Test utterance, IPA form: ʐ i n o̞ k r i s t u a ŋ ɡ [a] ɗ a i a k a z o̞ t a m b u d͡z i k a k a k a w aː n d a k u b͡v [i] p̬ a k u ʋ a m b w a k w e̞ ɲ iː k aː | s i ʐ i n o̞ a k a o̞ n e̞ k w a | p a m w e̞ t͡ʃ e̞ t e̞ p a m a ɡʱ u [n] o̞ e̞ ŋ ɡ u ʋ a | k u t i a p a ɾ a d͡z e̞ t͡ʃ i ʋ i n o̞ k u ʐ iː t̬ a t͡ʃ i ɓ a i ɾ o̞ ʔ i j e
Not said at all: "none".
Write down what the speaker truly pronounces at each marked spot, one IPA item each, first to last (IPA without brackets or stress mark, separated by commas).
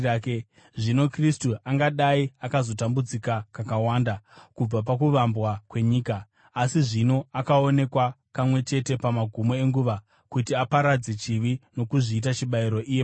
a, a, m